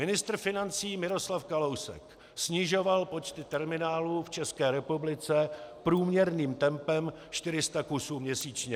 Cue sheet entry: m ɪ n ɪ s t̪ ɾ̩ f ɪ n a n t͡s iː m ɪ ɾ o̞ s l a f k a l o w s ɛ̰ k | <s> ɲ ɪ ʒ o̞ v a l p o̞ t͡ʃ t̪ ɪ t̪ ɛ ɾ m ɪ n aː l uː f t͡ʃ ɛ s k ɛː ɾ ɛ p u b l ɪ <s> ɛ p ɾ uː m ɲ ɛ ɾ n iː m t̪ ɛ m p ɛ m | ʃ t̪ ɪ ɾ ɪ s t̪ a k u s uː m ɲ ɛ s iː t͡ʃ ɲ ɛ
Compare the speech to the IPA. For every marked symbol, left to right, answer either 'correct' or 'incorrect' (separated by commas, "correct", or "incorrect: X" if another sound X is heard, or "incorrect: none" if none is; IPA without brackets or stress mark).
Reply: correct, incorrect: t͡s